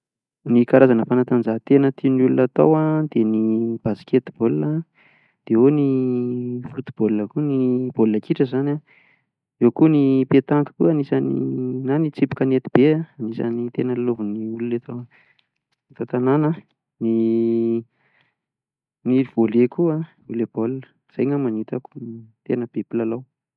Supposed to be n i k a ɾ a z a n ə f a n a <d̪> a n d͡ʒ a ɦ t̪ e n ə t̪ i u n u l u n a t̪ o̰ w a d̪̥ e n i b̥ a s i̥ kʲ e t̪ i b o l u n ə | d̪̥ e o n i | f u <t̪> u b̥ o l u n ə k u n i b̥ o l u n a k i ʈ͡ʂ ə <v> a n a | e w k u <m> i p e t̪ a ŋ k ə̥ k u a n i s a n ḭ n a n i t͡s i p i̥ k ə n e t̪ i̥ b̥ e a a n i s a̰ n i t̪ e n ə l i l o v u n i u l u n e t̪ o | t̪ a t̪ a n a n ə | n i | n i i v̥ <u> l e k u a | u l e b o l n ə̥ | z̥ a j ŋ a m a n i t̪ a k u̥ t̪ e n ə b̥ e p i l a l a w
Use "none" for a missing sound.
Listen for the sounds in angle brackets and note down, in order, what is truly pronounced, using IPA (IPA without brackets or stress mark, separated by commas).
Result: t̪, t̪, z, n, o